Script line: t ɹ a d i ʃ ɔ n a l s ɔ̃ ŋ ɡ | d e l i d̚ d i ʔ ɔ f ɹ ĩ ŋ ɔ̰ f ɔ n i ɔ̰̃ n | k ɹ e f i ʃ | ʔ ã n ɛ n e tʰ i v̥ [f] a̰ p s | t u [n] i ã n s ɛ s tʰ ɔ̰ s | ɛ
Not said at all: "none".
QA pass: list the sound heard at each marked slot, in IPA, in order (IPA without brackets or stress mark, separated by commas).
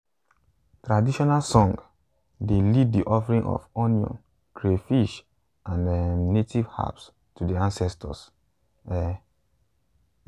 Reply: h, d